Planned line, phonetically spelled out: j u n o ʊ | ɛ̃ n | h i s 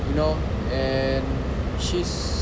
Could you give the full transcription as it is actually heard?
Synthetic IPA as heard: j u n o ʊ | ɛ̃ n | ʃ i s